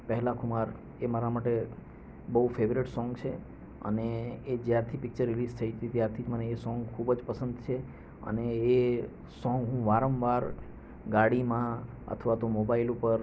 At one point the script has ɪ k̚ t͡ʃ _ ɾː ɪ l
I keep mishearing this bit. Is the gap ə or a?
ə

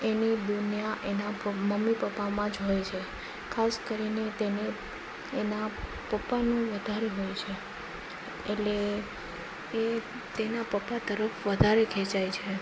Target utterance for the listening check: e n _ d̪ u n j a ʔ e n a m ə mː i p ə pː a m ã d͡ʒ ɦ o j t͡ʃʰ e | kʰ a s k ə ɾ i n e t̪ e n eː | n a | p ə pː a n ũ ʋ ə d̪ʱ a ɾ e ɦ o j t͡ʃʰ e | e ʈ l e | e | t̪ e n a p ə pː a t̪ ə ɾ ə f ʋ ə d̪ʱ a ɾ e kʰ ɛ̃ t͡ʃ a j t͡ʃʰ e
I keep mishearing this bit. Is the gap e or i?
i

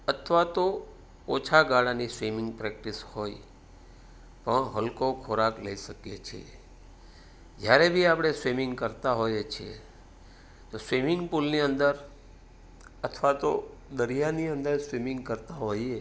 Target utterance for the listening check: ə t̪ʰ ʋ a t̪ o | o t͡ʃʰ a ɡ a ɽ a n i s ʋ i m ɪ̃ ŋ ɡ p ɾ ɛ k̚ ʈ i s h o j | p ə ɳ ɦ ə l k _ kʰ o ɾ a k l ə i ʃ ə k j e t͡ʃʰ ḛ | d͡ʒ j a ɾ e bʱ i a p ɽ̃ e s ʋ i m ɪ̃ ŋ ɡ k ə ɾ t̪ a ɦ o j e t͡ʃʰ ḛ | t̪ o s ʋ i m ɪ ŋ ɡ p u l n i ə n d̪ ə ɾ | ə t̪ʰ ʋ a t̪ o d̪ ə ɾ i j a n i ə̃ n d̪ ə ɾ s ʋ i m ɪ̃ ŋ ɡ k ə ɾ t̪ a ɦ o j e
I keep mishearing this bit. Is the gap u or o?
o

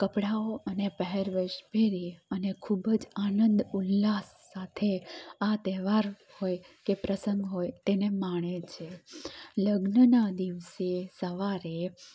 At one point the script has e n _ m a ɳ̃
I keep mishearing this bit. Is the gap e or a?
e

